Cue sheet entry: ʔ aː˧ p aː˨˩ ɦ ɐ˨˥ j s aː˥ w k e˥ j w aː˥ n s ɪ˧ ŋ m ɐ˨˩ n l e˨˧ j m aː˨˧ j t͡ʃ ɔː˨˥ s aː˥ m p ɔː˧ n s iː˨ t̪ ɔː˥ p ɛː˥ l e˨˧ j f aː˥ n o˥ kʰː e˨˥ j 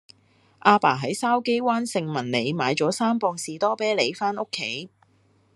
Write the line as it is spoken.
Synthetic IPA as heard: ʔ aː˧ p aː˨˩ ɦ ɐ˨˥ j s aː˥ w k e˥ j w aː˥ n s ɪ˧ ŋ m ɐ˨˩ n l e˨˧ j m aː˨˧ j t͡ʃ ɔː˨˥ s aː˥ m p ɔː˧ ŋ s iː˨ t̪ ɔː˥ p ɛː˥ l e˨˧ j f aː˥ n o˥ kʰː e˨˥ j